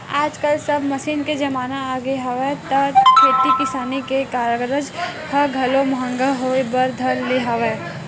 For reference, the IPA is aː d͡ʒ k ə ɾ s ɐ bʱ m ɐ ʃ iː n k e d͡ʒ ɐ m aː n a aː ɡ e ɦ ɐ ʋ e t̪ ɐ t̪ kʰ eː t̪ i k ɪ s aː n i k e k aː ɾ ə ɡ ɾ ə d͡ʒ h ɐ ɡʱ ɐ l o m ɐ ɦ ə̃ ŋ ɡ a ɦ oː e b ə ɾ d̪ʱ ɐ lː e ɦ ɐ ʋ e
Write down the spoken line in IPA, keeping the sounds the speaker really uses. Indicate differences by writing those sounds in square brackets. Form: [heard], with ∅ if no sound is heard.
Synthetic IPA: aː d͡ʒ k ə [l] s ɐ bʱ m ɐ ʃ iː n k e d͡ʒ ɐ m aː n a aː ɡ e ɦ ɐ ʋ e t̪ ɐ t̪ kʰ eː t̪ i k ɪ s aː n i k e k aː ɾ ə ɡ ɾ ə d͡ʒ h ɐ ɡʱ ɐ l o m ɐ ɦ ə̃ ŋ ɡ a ɦ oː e b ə ɾ d̪ʱ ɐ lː e ɦ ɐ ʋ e

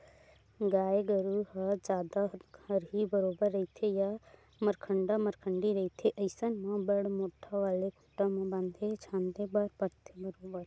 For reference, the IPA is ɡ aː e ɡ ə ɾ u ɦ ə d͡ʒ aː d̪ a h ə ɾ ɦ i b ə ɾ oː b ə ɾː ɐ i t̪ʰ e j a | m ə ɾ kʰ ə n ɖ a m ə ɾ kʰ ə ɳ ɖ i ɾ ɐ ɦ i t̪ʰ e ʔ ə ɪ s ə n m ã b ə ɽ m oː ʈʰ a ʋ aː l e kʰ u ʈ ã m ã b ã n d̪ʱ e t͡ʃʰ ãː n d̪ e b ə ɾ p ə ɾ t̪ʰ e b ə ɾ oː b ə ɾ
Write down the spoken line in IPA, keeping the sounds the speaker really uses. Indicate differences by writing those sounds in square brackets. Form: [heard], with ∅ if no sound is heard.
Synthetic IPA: ɡ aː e ɡ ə ɾ u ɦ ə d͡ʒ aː d̪ a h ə ɾ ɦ i b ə ɾ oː b ə ɾː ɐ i t̪ʰ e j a | m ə ɾ kʰ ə [ɳ] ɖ a m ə ɾ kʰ ə ɳ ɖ i ɾ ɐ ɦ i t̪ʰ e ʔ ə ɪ s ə n m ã b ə ɽ m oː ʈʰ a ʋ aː l e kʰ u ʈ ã m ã b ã n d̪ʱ e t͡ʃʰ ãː n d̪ e b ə ɾ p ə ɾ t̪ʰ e b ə ɾ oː b ə ɾ

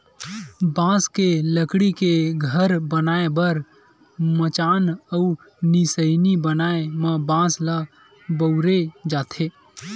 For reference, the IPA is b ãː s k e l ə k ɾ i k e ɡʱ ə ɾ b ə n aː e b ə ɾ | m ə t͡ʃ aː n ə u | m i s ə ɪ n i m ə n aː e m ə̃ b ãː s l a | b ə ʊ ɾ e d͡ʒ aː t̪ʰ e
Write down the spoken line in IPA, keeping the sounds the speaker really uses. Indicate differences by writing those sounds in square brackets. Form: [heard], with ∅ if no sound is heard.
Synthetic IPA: b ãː s k e l ə k [ɽ] i k e ɡʱ ə ɾ b ə n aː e b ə ɾ | m ə t͡ʃ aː n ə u | [n] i s ə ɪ n i [b] ə n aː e m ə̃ b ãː s l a | b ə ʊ ɾ e d͡ʒ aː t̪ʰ e

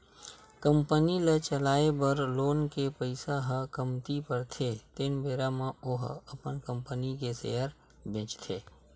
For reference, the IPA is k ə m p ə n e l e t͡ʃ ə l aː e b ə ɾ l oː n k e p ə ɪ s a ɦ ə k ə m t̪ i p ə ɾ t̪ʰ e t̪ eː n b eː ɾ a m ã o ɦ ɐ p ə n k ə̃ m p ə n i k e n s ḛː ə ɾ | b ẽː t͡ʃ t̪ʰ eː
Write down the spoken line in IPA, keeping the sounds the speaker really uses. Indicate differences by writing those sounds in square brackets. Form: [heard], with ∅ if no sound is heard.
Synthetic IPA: k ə m p ə n [i] l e t͡ʃ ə l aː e b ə ɾ l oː n k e p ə ɪ s a ɦ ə k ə m t̪ i p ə ɾ t̪ʰ e t̪ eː n b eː ɾ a m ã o ɦ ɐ p ə n k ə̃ m p ə n i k e [∅] s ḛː ə ɾ | b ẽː t͡ʃ t̪ʰ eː

